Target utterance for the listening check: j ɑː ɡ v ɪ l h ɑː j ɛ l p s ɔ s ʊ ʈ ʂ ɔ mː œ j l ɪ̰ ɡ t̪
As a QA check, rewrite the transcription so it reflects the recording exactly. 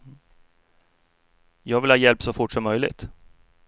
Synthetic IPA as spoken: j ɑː ɡ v ɪ l h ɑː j ɛ l p s ɔ f ʊ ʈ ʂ ɔ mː œ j l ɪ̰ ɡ t̪

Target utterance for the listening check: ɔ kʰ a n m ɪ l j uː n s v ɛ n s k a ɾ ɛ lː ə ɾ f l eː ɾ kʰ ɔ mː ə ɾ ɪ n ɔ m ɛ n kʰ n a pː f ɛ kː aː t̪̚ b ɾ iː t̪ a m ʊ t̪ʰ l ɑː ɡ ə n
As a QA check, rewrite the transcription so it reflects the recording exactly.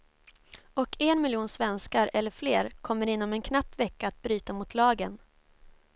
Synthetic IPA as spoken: ɔ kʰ ɛ n m ɪ l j uː n s v ɛ n s k a ɾ ɛ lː ə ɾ f l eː ɾ kʰ ɔ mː ə ɾ ɪ nː ɔ m ɛ n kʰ n a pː v ɛ kː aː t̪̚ b ɾ yː t̪ a m ʊ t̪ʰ l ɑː ɡ ə n

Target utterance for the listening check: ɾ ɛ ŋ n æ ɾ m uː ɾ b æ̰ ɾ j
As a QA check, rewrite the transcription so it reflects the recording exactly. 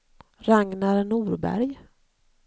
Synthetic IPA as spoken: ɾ a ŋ n a ɾ n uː ɾ b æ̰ ɾ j

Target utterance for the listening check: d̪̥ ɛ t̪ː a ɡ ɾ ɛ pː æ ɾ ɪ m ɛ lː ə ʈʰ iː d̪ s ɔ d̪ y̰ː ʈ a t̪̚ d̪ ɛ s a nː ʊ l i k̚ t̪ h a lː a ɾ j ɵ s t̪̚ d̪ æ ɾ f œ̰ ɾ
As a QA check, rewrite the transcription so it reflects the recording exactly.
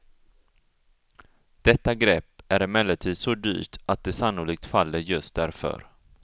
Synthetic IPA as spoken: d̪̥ ɛ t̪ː a ɡ ɾ ɛ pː æ ɾ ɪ m ɛ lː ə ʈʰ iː d̪ s ɔ d̪ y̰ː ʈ a t̪̚ d̪ ɛ s a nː ʊ l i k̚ t̪ f a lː ə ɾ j ɵ s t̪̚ d̪ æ ɾ f œ̰ ɾ

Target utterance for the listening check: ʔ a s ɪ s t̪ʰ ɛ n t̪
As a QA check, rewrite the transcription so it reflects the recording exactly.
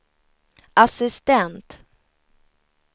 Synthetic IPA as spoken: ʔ a s ɪ s t̪ ɛ n t̪

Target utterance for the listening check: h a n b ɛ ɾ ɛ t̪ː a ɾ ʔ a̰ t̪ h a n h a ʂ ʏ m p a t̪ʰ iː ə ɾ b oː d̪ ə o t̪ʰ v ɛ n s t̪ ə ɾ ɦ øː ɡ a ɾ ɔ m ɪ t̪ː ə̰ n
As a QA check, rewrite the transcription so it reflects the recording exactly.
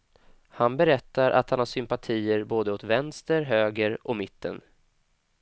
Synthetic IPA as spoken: h a n b ɛ ɾ ɛ t̪ː a ɾ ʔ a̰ t̪ h a n h a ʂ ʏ m p a t̪ʰ iː ə ɾ b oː d̪ ə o t̪ v ɛ n s t̪ ə ɾ ɦ øː ɡ ə ɾ ɔ m ɪ t̪ː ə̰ n

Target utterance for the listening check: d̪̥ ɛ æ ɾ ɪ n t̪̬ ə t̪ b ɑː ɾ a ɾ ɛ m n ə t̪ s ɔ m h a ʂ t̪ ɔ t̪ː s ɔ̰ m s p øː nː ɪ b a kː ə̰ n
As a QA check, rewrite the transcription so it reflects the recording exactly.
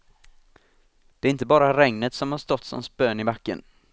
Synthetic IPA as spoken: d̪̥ ɛ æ ɾ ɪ n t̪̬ ə b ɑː ɾ a ɾ ɛ ŋ n ə t̪ s ɔ m h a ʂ t̪ ɔ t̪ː s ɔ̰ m s p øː n ɪ b a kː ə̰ n

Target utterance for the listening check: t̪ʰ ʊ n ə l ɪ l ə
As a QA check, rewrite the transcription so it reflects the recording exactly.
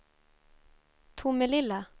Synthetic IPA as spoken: t̪ʰ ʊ m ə l ɪ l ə

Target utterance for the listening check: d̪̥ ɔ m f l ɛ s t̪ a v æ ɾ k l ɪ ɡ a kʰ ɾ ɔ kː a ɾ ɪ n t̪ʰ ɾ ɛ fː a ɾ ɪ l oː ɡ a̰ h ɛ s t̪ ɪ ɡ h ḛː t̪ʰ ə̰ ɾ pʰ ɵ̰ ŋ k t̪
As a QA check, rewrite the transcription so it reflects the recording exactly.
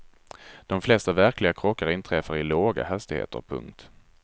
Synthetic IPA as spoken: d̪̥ ɔ m f l ɛ s t̪ a v æ ɾ k l ɪ ɡ a kʰ ɾ ɔ kː a ɾ ɪ n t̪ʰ ɾ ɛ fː a ɾ ɪ l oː ɡ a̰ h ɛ s t̪ ɪ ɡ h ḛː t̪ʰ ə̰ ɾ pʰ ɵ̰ ŋ k t̪

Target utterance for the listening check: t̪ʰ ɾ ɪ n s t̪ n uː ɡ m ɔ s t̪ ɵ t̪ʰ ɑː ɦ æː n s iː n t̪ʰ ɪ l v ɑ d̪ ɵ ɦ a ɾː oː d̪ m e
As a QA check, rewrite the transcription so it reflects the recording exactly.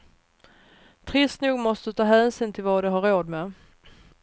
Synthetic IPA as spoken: t̪ʰ ɾ ɪ s t̪ n uː ɡ m ɔ s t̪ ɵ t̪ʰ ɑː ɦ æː n s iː n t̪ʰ ɪ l v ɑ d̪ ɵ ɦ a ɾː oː d̪ m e

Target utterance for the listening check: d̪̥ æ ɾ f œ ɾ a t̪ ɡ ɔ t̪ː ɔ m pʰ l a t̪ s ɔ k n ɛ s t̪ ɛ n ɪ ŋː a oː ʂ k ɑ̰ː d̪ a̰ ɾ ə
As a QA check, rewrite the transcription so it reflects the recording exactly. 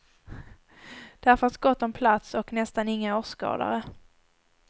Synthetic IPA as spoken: d̪̥ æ ɾ f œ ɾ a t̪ ɡ ɔ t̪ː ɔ m pʰ l a t̪ s ɔ k n ɛ s t̪ a n ɪ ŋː a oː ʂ k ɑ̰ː d̪ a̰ ɾ ə

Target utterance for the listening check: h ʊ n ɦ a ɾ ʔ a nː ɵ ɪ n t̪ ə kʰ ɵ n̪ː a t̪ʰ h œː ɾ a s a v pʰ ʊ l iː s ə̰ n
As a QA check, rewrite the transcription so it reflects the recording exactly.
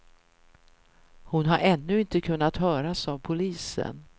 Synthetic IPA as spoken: h ʊ n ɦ a ɾ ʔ ɛ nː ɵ ɪ n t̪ ə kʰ ɵ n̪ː a t̪ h œː ɾ a s a v pʰ ʊ l iː s ə̰ n

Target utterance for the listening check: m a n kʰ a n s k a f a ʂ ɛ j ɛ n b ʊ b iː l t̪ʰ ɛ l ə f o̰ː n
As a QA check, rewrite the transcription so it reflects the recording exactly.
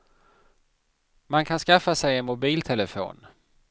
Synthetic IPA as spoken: m a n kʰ a n s k a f a s ɛ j ɛ n m ʊ b iː l t̪ʰ ɛ l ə f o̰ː n

